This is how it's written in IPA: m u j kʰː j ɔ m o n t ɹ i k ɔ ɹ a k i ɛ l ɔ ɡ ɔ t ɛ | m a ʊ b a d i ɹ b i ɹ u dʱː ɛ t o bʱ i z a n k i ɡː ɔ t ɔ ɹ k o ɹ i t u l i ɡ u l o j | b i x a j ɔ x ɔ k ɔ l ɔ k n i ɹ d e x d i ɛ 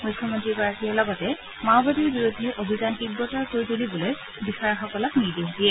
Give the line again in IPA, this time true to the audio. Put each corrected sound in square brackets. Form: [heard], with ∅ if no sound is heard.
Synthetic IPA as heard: m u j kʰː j ɔ m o n t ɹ i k ɔ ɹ a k i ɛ l ɔ ɡ ɔ t ɛ | m a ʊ b a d i ɹ b i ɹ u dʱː ɛ [ʔ] o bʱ i z a n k i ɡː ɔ t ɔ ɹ k o ɹ i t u l i [b] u l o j | b i x a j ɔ x ɔ k ɔ l ɔ k n i ɹ d e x d i ɛ